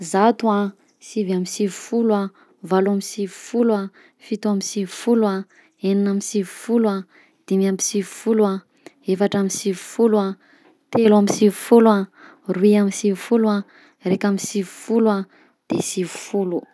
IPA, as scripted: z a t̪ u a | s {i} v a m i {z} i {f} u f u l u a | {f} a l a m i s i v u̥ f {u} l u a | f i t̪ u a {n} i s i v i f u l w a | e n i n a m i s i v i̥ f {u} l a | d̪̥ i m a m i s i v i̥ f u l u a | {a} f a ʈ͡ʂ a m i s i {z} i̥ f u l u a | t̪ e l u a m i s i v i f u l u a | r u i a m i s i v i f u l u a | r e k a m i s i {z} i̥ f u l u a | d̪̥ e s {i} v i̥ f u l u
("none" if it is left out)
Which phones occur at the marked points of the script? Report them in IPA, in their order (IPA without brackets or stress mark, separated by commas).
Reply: i, s, v, v, u, m, u, e, v, v, i